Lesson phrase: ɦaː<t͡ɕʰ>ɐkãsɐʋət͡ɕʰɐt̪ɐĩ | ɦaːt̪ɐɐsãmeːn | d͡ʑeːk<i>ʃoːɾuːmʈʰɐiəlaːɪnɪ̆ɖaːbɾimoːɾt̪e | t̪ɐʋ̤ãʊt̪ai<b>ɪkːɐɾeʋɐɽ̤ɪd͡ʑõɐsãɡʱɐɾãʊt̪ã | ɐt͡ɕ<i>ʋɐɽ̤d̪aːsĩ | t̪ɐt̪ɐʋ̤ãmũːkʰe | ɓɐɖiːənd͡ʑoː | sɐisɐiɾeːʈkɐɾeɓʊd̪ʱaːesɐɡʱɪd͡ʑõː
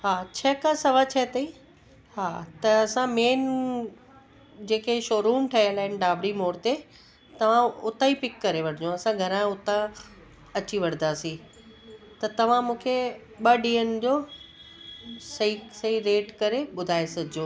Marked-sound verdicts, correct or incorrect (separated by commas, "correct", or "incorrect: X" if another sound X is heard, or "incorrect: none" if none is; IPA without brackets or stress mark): correct, incorrect: e, incorrect: p, correct